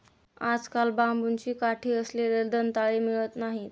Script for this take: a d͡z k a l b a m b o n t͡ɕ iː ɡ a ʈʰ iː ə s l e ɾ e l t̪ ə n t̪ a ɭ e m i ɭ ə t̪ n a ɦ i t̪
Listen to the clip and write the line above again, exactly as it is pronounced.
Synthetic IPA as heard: a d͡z k a l b a m b u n t͡ɕ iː k a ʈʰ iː ə s l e ɾ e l d̪ ə n t̪ a ɭ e m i ɭ ə t̪ n a ɦ i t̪